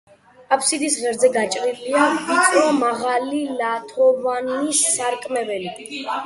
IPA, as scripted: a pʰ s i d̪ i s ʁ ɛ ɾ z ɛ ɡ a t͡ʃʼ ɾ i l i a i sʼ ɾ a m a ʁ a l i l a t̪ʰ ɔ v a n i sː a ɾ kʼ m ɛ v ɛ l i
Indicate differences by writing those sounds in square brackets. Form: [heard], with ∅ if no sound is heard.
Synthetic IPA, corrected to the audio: a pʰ s i d̪ i s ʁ ɛ ɾ z ɛ ɡ a t͡ʃʼ ɾ i l i a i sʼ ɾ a m a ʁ a l i l a t̪ʰ ɔ v a n i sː a ɾ kʼ m ɛ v ɛ l i